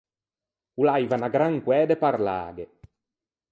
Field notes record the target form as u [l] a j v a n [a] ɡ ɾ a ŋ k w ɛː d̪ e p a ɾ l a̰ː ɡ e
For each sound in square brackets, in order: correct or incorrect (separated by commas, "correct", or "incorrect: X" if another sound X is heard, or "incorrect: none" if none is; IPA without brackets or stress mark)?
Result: correct, correct